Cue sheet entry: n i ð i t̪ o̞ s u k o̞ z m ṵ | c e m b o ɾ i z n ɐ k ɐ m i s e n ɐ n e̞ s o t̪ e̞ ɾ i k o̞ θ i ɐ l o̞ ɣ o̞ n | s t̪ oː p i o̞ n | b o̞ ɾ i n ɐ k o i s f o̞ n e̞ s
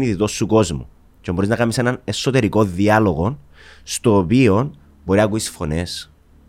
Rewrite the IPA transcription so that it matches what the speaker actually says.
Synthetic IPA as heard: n i ð i t̪ o̞ s u k o̞ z m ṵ | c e m b o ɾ i z n ɐ k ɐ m i s e n ɐ n e̞ s o t̪ e̞ ɾ i k o̞ ð i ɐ l o̞ ɣ o̞ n | s t̪ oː p i o̞ n | b o̞ ɾ i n ɐ k u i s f o̞ n e̞ s